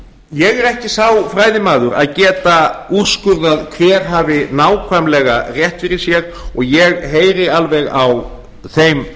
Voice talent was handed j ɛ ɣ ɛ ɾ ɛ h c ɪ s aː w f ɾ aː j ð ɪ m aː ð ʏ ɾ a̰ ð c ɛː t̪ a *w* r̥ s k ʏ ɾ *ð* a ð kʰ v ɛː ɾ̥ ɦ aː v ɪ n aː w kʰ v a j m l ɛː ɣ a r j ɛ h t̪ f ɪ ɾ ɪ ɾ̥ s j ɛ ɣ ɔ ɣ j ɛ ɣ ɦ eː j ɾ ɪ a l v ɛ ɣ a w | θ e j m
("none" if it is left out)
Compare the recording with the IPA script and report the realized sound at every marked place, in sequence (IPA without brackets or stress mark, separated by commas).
u, ð